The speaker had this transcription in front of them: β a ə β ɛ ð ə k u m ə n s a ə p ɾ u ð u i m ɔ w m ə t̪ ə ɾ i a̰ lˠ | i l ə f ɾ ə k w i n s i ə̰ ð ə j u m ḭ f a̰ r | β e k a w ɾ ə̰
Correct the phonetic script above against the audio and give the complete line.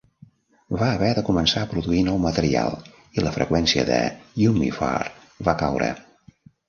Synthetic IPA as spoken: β a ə β ɛ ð ə k u m ə n s a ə p ɾ u ð u i n ɔ w m ə t̪ ə ɾ i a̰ lˠ | i l ə f ɾ ə k w ɛ n s i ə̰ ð ə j u m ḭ f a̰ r | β a k a w ɾ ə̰